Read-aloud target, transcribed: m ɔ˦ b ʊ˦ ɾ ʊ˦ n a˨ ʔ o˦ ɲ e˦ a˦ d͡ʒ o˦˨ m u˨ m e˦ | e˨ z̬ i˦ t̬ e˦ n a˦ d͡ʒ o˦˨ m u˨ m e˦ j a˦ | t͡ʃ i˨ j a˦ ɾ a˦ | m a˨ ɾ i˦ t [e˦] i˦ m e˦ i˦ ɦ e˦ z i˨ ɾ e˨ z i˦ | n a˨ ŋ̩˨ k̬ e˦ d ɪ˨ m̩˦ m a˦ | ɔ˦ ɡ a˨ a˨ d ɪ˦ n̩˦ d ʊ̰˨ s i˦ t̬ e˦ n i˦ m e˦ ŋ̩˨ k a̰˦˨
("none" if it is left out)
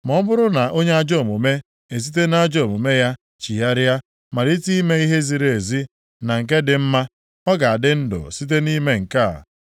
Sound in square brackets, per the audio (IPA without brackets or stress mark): i˦